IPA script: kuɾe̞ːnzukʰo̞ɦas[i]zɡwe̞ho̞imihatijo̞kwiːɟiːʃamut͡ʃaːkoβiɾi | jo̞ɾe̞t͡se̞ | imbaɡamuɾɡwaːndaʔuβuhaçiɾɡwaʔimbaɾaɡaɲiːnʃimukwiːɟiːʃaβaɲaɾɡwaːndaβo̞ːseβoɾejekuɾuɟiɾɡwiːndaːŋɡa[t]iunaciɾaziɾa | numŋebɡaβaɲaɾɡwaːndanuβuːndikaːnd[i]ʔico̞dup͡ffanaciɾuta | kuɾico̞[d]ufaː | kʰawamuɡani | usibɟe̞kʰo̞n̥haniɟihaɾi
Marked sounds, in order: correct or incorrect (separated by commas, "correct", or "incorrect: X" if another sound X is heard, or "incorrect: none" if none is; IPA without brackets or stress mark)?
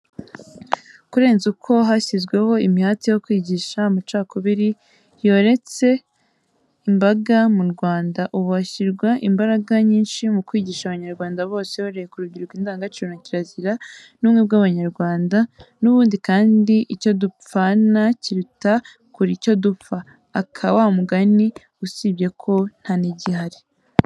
correct, incorrect: t͡ʃ, correct, correct